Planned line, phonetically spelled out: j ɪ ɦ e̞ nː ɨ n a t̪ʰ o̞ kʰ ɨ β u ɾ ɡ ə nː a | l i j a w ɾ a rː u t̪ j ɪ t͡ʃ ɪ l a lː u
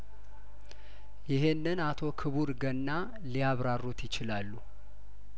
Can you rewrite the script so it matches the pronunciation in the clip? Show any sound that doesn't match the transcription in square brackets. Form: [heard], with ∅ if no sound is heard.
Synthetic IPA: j ɪ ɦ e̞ nː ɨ n a t̪ʰ o̞ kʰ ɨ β u ɾ ɡ ə nː a | l i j a [β] ɾ a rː u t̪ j ɪ t͡ʃ ɪ l a lː u